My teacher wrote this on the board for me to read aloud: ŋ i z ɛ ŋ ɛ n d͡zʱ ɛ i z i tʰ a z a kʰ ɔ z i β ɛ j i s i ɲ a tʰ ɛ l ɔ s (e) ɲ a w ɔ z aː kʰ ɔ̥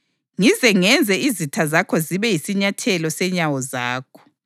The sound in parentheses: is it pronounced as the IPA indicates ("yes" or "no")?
no